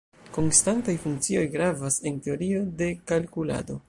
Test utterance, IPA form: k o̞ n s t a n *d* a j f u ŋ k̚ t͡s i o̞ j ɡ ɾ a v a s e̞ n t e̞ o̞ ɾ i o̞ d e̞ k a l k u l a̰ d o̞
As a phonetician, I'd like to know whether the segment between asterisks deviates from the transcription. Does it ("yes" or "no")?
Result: yes